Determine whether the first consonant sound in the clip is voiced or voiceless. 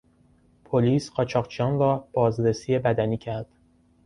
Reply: voiceless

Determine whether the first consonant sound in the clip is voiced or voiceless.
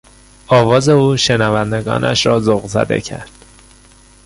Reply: voiced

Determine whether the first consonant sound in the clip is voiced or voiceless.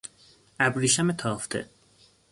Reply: voiced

